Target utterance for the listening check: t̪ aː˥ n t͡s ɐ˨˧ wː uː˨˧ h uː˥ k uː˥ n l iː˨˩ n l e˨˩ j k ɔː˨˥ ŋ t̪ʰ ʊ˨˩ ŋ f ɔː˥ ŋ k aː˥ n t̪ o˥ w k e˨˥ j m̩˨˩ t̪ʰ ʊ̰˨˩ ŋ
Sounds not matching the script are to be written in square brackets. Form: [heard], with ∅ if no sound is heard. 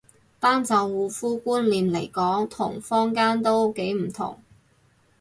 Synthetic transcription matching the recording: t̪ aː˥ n t͡s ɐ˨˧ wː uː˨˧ [f] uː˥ k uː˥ n l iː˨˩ n l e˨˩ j k ɔː˨˥ ŋ t̪ʰ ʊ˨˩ ŋ f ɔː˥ ŋ k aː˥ n t̪ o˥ w k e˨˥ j m̩˨˩ t̪ʰ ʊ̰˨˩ ŋ